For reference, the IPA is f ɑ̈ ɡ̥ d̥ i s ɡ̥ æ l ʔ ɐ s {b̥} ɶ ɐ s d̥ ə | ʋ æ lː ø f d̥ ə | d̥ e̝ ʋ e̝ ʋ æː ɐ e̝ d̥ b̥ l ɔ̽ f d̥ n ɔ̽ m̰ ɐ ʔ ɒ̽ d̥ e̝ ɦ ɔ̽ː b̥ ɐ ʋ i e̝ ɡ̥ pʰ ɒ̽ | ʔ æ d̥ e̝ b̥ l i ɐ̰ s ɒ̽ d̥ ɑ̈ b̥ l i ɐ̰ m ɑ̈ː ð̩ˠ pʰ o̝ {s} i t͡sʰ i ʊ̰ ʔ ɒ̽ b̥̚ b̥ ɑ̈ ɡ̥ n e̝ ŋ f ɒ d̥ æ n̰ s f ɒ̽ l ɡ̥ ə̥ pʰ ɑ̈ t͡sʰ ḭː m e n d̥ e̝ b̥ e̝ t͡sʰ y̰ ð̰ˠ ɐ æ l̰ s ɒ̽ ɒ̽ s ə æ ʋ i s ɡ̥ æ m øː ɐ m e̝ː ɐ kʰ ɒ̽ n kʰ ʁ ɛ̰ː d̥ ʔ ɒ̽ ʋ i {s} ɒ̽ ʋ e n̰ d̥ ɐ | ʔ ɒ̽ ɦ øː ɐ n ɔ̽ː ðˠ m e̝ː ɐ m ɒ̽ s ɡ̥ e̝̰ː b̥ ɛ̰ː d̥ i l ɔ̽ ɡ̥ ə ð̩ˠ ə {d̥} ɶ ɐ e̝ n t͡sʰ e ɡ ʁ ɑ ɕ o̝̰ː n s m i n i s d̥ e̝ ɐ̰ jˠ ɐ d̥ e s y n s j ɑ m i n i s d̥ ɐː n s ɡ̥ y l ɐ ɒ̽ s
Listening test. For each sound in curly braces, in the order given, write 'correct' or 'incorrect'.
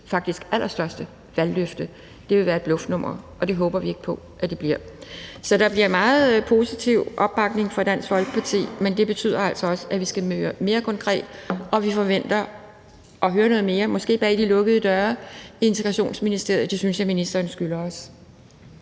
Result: incorrect: d̥, correct, incorrect: f, correct

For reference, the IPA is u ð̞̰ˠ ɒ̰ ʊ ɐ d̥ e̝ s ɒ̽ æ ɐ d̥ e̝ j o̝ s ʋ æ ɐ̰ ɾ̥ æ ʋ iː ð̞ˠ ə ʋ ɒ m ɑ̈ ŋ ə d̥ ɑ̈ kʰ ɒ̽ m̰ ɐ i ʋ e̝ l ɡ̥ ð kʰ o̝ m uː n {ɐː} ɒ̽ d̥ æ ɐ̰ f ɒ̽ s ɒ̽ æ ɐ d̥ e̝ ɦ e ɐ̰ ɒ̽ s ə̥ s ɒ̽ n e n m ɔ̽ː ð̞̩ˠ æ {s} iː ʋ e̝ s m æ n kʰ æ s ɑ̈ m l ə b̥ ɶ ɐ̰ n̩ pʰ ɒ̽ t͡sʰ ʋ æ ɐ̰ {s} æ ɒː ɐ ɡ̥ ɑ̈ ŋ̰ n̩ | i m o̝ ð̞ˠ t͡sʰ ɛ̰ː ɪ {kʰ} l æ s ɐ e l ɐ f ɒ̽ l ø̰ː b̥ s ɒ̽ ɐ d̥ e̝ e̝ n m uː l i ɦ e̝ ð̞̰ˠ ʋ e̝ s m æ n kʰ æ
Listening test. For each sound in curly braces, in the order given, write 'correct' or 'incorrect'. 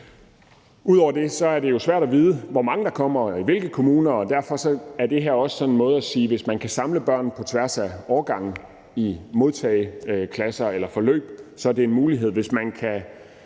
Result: incorrect: ɐ, correct, correct, correct

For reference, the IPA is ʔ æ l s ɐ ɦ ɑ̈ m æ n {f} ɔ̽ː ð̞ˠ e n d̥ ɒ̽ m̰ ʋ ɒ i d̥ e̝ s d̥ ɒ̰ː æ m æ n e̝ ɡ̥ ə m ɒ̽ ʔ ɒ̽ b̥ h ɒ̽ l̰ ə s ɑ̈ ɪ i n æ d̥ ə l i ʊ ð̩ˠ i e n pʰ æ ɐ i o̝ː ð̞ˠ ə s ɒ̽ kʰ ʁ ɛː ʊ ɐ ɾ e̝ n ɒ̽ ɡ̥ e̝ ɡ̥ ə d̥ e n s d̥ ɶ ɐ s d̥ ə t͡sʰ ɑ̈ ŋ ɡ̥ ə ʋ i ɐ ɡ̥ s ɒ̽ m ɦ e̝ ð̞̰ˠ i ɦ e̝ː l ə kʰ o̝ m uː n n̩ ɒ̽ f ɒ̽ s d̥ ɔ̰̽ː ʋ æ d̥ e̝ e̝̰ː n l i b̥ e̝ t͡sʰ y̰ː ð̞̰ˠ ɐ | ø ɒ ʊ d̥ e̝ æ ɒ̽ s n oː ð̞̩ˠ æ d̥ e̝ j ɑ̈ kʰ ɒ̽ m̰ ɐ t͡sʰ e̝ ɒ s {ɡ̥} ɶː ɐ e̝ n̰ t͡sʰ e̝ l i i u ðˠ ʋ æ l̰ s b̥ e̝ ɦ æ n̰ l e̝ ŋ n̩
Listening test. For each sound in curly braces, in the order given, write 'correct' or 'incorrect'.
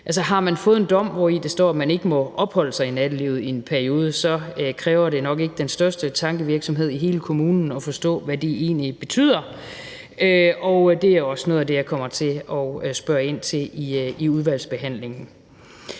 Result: correct, incorrect: b̥

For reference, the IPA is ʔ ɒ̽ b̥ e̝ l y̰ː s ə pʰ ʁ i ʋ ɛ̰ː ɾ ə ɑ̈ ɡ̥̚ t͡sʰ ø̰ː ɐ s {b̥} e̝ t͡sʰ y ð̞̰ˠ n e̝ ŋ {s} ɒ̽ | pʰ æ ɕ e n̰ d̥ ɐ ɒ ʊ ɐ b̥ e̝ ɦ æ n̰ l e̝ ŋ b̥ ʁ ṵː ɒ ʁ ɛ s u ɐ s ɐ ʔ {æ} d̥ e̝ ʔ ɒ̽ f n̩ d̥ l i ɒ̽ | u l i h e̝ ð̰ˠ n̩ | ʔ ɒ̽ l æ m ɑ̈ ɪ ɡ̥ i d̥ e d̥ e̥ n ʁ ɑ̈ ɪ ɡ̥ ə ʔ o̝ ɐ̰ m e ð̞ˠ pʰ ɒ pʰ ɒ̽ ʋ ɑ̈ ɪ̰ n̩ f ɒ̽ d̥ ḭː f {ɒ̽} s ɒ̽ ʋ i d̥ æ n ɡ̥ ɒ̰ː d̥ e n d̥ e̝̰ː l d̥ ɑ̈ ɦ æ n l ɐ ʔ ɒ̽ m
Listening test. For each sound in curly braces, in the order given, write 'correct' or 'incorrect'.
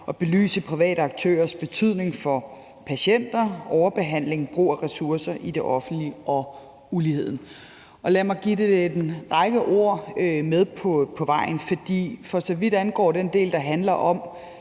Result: correct, incorrect: f, incorrect: i, correct

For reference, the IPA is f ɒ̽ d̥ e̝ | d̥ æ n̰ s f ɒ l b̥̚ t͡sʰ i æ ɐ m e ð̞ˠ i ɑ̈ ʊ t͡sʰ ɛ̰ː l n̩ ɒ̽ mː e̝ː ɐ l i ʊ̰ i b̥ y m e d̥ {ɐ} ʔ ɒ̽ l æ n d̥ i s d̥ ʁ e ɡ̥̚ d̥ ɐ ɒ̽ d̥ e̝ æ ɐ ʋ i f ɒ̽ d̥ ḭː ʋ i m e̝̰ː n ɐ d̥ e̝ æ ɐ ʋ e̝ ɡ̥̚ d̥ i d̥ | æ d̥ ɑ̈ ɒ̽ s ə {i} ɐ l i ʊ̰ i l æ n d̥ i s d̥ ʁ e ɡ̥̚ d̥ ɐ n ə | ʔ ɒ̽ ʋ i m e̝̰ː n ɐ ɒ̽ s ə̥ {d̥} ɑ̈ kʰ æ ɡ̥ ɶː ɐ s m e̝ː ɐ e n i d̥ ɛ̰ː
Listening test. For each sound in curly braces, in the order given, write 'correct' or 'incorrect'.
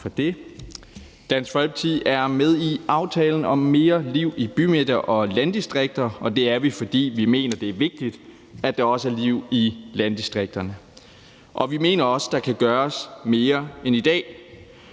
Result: correct, incorrect: æ, correct

